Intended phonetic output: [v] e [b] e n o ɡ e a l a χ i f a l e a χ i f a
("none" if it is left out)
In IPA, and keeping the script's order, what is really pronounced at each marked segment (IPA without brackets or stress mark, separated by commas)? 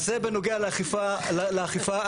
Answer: z, b